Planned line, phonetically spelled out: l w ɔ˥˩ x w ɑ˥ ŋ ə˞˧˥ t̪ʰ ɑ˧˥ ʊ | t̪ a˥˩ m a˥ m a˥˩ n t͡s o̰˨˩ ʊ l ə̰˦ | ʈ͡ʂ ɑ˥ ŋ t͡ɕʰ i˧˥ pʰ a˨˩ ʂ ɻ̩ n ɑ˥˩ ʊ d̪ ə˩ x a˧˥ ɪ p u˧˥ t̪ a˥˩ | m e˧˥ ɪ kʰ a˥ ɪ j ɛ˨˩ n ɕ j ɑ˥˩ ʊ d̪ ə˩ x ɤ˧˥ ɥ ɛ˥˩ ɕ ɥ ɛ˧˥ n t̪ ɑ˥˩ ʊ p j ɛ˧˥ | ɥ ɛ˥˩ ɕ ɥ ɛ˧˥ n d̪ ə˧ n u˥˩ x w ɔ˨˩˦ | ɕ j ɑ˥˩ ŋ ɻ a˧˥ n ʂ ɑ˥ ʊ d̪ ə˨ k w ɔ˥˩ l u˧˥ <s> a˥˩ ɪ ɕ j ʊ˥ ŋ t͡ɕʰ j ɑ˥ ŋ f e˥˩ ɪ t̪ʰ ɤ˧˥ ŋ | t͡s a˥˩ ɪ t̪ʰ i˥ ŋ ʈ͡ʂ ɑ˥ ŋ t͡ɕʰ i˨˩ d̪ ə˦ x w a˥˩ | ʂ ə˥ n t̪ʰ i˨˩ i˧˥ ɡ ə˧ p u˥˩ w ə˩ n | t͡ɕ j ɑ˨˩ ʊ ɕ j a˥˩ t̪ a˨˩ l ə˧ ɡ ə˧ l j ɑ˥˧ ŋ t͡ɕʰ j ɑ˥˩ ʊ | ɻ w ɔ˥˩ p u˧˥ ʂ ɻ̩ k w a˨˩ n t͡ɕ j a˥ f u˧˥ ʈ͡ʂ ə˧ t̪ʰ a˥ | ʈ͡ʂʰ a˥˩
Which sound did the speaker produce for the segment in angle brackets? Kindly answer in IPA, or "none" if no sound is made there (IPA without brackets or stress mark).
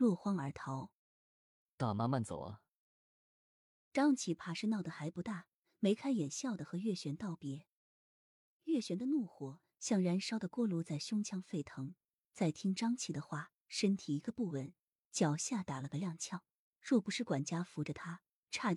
t͡s